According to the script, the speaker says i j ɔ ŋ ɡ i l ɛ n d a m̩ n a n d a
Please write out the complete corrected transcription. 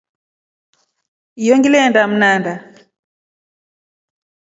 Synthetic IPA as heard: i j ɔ ŋ ɡ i l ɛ n d a m̩ n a n d a